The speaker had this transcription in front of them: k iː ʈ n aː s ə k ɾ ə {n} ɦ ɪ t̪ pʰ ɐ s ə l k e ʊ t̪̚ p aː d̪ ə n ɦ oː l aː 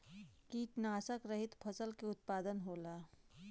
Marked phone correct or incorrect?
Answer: incorrect